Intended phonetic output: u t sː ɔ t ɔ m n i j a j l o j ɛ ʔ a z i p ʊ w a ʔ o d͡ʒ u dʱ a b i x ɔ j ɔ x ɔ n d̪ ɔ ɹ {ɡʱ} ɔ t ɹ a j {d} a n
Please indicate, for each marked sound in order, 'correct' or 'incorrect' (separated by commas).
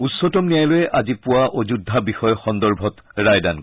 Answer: incorrect, correct